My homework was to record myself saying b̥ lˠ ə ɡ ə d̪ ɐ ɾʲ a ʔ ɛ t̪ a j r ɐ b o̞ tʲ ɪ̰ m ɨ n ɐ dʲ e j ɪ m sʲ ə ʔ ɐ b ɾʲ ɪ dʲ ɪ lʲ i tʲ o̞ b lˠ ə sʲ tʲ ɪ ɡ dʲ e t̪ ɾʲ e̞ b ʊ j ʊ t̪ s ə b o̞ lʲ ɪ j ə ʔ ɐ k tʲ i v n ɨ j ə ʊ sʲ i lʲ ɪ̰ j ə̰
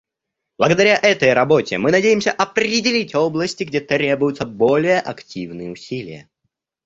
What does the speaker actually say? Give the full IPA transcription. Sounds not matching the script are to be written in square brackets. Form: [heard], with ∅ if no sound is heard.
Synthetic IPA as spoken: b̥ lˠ ə ɡ ə d̪ ɐ ɾʲ a ʔ ɛ t̪ [ə] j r ɐ b o̞ tʲ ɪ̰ m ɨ n ɐ dʲ e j ɪ m sʲ ə ʔ ɐ [p] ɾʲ ɪ dʲ ɪ lʲ i tʲ o̞ b lˠ ə sʲ tʲ ɪ ɡ dʲ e t̪ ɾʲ e̞ b ʊ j ʊ t̪ s ə b o̞ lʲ ɪ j ə ʔ ɐ k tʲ i v n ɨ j ə ʊ sʲ i lʲ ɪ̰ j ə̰